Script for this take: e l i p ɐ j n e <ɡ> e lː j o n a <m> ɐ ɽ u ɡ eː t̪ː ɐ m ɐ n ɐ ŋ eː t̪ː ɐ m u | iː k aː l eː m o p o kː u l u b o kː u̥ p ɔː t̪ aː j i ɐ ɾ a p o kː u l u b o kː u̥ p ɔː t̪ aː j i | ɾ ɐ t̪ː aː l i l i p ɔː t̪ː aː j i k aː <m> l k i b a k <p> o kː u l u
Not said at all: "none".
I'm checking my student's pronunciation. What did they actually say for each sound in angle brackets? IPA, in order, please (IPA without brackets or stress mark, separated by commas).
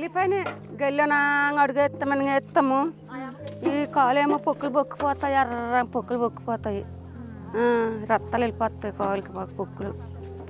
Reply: ɡ, ŋ, none, p